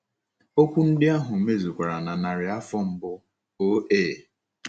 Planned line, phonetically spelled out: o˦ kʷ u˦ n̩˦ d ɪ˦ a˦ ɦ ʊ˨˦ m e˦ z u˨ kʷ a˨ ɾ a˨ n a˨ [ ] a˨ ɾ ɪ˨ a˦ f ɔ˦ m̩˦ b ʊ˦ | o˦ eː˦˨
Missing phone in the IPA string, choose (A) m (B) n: B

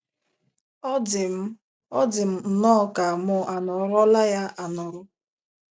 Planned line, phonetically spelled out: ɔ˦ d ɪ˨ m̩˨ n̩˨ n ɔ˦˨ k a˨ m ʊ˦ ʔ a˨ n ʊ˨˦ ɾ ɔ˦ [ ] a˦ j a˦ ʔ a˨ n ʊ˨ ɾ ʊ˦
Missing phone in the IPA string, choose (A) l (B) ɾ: A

